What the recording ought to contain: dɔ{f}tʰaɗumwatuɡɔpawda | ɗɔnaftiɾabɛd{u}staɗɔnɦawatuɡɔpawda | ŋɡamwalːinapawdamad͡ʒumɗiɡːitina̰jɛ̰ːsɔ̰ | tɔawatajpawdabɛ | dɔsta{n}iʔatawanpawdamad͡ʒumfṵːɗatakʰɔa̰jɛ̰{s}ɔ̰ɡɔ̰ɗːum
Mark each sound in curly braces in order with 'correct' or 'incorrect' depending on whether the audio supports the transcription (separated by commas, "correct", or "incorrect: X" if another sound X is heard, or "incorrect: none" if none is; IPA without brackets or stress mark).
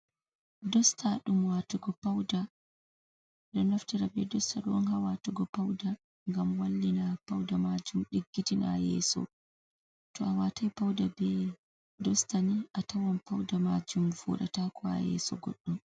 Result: incorrect: s, incorrect: ɔ, correct, correct